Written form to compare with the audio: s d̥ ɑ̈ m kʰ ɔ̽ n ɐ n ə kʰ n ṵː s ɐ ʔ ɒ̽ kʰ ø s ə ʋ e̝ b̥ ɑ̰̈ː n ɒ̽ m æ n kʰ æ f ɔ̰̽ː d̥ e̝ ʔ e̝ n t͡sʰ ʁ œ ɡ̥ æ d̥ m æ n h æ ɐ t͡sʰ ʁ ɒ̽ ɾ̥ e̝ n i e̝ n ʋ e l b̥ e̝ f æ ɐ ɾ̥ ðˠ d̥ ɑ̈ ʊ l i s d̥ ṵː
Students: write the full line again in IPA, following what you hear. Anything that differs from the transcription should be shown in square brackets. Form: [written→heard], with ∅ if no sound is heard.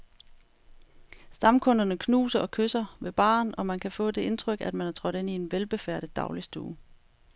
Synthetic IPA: s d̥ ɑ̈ m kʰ ɔ̽ n ɐ n ə kʰ n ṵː s ɐ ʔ ɒ̽ kʰ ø s [ə→ɐ] ʋ e̝ b̥ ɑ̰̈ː n ɒ̽ m æ n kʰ æ f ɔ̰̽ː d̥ e̝ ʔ e̝ n t͡sʰ ʁ œ ɡ̥ æ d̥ m æ n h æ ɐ t͡sʰ ʁ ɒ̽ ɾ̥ e̝ n i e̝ n ʋ e l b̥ e̝ f æ ɐ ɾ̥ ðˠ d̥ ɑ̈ ʊ l i s d̥ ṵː

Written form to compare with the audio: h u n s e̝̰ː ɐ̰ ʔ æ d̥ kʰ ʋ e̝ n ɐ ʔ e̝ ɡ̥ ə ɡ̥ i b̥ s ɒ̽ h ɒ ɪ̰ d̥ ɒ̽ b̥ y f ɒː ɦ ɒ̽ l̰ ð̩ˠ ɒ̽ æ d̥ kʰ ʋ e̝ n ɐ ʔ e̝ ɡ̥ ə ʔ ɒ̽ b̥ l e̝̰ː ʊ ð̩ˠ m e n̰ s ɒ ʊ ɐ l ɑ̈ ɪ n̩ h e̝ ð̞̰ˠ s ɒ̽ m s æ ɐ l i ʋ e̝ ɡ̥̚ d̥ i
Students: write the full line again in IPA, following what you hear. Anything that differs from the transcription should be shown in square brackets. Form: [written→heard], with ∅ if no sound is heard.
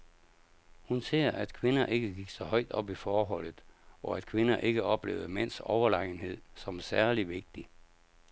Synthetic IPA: h u n s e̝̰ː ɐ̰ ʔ æ d̥ kʰ ʋ e̝ n ɐ ʔ e̝ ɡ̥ ə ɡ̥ i [b̥→ɡ̥] s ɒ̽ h ɒ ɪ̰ d̥ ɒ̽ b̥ [y→i] f ɒː ɦ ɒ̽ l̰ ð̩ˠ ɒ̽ æ d̥ kʰ ʋ e̝ n ɐ ʔ e̝ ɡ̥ ə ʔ ɒ̽ b̥ l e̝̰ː ʊ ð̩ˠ m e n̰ s ɒ ʊ ɐ l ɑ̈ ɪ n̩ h e̝ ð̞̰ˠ s ɒ̽ m s æ ɐ l i ʋ e̝ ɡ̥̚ d̥ i

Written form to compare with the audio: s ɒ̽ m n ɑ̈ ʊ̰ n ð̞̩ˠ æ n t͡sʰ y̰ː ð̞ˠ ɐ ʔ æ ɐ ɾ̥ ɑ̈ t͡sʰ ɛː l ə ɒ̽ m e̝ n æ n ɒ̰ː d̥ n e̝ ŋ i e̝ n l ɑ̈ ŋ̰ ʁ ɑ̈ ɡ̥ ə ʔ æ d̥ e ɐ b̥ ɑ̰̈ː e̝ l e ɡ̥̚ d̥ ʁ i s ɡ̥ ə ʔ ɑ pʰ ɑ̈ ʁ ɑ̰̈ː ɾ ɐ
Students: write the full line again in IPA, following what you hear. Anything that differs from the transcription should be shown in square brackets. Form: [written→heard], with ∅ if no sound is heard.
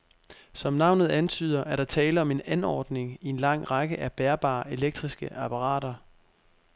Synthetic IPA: s ɒ̽ m n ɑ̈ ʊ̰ n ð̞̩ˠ æ n t͡sʰ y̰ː ð̞ˠ ɐ ʔ æ ɐ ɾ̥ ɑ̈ t͡sʰ ɛː l ə ɒ̽ m e̝ n æ n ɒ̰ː d̥ n e̝ ŋ i e̝ n l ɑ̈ ŋ̰ ʁ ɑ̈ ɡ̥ ə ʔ æ [d̥→b̥] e ɐ b̥ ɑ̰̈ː e̝ l e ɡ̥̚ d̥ ʁ i s ɡ̥ ə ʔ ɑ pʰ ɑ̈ ʁ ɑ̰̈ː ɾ ɐ

